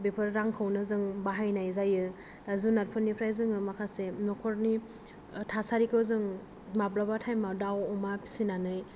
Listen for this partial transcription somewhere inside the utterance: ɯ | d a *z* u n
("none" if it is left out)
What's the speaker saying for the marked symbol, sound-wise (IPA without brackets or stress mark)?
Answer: z